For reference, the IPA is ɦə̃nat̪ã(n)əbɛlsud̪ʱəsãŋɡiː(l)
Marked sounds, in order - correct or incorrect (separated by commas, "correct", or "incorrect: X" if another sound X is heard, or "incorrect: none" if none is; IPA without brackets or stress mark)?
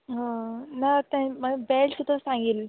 incorrect: m, correct